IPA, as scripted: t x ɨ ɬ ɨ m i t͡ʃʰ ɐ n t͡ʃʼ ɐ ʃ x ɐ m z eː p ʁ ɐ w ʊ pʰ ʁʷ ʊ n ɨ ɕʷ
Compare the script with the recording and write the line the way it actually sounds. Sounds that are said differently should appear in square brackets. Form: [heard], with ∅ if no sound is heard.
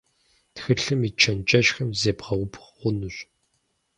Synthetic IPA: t x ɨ ɬ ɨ m i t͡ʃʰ ɐ n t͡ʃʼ ɐ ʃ x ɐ m z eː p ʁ ɐ w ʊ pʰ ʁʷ ʊ n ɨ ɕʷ